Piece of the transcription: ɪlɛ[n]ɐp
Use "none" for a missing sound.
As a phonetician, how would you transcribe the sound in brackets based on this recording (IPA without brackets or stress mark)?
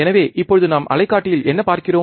nː